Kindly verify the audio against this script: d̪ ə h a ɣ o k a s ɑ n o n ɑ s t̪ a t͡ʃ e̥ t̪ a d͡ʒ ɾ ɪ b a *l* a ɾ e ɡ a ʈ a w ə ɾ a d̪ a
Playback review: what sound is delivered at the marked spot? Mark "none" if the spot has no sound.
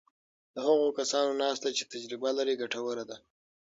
l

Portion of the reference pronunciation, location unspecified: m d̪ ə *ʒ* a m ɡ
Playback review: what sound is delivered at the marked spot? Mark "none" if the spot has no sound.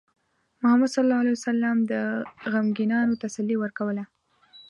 ɣ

